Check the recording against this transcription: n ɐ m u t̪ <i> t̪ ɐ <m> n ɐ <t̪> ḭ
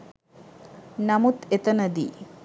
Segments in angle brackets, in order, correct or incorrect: incorrect: e, incorrect: none, incorrect: d̪

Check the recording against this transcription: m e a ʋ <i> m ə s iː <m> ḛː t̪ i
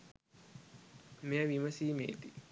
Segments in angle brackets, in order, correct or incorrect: correct, correct

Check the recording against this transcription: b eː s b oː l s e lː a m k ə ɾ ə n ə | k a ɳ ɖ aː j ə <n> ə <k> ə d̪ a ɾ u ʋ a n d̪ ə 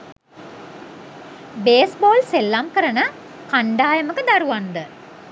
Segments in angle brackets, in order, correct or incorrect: incorrect: m, correct

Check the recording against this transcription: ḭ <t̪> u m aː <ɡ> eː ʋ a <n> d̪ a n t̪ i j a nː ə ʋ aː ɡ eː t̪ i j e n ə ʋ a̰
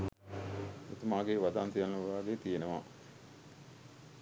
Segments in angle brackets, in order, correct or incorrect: correct, correct, incorrect: none

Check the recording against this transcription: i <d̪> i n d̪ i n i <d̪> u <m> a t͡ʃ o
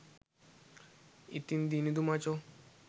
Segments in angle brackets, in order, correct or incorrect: incorrect: t̪, correct, correct

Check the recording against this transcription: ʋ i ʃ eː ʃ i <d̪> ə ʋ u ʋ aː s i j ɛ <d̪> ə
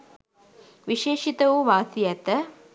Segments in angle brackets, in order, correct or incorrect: incorrect: t̪, incorrect: t̪

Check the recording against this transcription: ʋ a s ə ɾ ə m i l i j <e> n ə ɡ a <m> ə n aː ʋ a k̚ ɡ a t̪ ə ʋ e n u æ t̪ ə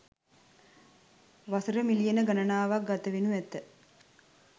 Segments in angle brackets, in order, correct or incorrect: correct, incorrect: n

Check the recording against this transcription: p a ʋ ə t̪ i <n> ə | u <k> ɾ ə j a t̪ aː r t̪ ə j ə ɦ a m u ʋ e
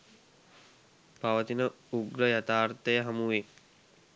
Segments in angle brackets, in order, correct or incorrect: correct, incorrect: ɡ

